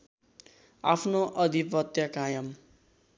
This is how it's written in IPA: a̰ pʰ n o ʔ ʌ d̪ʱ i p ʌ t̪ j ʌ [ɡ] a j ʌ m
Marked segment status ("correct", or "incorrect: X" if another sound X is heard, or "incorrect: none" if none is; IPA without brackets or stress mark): incorrect: k